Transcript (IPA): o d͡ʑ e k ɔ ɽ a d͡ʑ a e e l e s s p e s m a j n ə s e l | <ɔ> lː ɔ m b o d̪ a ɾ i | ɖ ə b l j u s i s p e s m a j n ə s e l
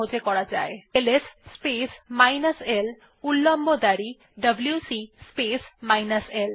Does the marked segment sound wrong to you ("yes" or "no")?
yes